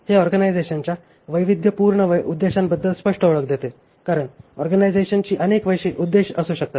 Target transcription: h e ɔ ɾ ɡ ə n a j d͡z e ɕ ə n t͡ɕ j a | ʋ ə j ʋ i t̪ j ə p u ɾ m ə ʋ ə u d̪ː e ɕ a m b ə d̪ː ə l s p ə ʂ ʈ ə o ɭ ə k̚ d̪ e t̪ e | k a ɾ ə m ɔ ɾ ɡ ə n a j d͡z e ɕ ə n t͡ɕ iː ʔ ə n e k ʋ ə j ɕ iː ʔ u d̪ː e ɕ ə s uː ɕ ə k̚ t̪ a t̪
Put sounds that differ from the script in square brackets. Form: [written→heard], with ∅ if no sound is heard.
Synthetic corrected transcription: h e ɔ ɾ ɡ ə n a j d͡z e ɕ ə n t͡ɕ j a | ʋ ə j ʋ i [t̪→d̪] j ə p u ɾ [m→ɳ] ə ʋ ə u d̪ː e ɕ a m b ə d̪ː ə l s p ə ʂ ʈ ə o ɭ ə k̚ d̪ e t̪ e | k a ɾ ə [m→ɳ] ɔ ɾ ɡ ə n a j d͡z e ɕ ə n t͡ɕ iː ʔ ə n e k ʋ ə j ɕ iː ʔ u d̪ː e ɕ ə s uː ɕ ə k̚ t̪ a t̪